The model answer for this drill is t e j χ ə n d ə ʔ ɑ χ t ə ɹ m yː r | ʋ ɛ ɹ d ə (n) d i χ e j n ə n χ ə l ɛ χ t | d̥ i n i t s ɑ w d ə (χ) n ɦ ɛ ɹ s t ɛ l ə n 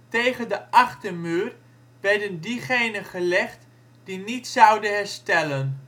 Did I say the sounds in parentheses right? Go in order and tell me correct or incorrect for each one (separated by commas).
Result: correct, incorrect